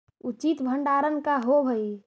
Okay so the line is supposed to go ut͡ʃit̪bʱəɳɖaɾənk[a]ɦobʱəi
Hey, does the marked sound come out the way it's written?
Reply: yes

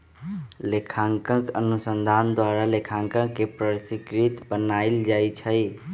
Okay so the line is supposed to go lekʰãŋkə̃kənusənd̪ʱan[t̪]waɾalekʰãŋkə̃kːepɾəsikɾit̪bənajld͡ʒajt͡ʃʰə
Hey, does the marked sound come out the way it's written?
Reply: no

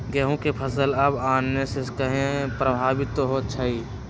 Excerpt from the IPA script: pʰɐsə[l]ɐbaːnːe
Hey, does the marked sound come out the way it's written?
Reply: yes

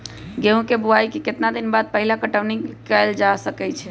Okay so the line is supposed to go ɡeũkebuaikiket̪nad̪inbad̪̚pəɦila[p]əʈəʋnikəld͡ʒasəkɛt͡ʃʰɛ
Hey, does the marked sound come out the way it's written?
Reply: no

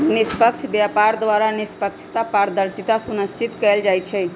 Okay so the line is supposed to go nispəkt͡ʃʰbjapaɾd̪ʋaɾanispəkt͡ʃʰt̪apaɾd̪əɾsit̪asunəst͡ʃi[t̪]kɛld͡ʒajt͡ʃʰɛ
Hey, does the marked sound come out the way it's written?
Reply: yes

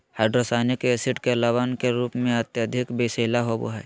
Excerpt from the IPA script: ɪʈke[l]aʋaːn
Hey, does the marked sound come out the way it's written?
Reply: yes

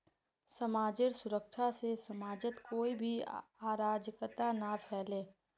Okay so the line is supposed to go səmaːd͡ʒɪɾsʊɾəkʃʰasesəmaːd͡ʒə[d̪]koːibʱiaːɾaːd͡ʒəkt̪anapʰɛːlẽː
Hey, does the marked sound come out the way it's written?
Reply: no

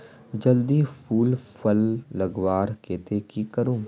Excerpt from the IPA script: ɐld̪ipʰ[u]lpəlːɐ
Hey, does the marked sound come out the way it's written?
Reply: no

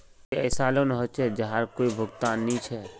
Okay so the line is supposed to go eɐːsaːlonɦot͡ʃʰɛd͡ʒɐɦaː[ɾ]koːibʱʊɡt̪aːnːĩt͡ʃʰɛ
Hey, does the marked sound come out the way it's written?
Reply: yes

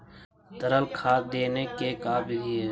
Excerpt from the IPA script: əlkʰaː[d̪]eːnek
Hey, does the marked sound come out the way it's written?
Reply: yes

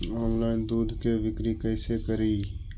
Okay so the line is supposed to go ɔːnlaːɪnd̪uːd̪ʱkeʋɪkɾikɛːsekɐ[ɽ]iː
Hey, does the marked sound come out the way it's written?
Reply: no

